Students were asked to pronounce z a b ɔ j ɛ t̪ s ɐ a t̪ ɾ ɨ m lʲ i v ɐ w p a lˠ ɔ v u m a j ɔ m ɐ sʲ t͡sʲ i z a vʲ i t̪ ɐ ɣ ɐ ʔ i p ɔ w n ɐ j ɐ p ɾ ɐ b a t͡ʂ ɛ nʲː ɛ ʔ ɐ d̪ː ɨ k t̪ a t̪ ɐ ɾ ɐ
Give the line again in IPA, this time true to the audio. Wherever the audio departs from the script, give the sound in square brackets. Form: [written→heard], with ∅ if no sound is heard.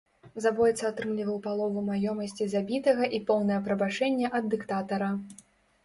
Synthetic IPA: z a b ɔ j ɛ t̪ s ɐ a t̪ ɾ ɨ m lʲ i v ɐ w p a lˠ ɔ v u m a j ɔ m ɐ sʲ t͡sʲ i z a [vʲ→bʲ] i t̪ ɐ ɣ ɐ ʔ i p ɔ w n ɐ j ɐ p ɾ ɐ b a t͡ʂ ɛ nʲː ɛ ʔ ɐ d̪ː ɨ k t̪ a t̪ ɐ ɾ ɐ